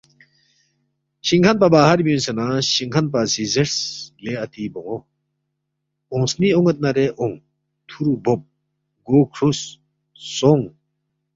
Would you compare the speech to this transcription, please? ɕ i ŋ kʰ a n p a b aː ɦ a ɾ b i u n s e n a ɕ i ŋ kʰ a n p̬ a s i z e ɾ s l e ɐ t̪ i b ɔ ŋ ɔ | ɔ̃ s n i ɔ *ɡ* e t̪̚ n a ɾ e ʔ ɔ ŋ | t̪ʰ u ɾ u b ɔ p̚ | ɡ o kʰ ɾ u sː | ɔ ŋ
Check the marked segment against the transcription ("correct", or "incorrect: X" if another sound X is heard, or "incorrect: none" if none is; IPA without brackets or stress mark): incorrect: ŋ